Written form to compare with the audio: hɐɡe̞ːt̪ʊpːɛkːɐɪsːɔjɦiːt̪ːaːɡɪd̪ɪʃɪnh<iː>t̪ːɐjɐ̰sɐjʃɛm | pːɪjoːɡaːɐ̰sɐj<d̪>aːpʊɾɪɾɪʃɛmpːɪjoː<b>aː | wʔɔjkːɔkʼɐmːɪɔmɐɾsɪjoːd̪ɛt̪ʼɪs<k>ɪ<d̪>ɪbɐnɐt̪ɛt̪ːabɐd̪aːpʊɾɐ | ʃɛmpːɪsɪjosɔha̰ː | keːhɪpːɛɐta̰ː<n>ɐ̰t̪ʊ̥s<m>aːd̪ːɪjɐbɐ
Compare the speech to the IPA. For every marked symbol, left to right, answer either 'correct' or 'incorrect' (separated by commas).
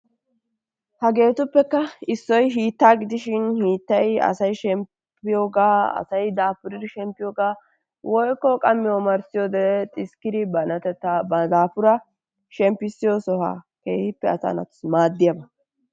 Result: correct, correct, incorrect, correct, correct, correct, correct